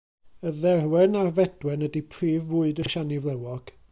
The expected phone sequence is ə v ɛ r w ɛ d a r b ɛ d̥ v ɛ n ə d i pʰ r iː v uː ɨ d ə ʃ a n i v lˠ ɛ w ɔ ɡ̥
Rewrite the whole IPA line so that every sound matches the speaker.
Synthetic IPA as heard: ə ð ɛ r w ɛ n a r v ɛ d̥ w ɛ n ə d i pʰ r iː v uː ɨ d ə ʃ a n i v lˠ ɛ w ɔ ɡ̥